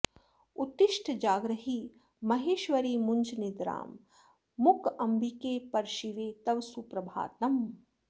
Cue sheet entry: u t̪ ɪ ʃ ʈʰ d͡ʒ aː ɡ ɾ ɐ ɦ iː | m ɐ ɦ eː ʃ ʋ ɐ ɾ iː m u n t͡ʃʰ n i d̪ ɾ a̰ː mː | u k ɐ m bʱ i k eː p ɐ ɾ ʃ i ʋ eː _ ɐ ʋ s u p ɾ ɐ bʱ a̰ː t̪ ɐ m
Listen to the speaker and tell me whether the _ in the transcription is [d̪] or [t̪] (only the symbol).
t̪